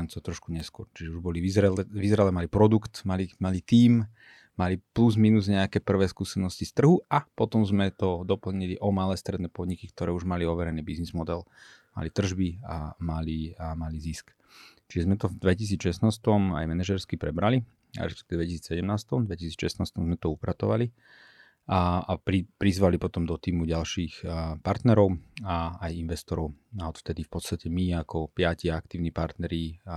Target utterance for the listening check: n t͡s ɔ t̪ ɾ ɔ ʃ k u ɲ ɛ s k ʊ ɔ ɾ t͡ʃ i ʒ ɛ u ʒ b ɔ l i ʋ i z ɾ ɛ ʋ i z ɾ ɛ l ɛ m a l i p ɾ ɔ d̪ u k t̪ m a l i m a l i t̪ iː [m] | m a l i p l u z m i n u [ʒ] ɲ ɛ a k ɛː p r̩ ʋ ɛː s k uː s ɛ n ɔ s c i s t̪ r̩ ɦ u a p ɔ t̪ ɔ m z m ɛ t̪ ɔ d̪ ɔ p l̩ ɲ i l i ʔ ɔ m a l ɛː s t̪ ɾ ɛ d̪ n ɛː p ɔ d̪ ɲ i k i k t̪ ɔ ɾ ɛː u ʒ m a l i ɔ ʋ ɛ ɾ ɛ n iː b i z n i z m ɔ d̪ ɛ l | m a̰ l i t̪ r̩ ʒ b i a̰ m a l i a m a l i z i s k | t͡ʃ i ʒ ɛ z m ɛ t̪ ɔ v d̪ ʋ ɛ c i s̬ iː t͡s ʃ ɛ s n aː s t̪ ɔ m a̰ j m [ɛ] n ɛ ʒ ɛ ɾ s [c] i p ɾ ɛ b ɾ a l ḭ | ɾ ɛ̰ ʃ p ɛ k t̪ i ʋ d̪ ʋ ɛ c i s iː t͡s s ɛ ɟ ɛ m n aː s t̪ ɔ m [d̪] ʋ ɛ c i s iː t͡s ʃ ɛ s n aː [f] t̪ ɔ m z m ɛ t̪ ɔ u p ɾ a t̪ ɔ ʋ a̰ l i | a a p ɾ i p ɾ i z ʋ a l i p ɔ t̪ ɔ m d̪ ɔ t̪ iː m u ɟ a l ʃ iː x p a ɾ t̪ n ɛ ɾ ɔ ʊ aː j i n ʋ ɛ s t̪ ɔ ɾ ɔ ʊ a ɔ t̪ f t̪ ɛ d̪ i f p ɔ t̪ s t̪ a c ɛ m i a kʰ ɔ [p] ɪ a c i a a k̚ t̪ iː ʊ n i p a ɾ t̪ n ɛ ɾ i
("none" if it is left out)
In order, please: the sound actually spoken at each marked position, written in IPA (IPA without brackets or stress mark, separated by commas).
m, z, ɛ, k, d̪, s, p